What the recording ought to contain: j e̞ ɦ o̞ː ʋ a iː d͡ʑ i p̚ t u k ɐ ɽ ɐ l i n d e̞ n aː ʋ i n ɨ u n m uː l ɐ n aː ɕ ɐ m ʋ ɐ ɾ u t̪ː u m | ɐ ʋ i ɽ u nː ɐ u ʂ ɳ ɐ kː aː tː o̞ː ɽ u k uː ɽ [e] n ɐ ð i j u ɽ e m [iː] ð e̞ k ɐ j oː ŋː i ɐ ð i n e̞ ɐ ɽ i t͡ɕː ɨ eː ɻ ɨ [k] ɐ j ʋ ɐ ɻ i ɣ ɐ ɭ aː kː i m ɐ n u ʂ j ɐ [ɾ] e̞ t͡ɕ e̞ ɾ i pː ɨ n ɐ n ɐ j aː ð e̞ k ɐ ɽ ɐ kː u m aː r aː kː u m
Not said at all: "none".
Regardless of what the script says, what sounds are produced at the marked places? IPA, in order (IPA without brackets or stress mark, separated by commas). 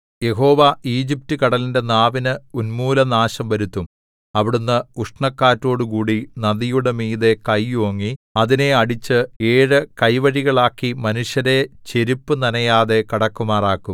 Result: i, iː, k, ɾ